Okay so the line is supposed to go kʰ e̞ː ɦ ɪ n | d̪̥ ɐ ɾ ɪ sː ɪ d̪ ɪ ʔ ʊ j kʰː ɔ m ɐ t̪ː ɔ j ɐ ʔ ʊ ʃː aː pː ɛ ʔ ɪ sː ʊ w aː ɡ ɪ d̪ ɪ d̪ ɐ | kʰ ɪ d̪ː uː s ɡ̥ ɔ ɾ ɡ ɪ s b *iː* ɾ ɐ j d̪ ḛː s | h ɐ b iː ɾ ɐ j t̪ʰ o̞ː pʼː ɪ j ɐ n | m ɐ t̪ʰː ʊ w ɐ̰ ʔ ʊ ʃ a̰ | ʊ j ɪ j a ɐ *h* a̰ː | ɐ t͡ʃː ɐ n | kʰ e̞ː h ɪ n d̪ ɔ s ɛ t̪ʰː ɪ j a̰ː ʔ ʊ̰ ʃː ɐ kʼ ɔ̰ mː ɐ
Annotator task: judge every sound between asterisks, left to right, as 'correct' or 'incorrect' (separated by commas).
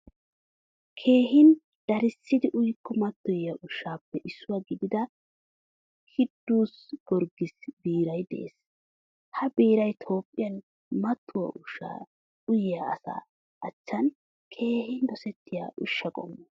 correct, incorrect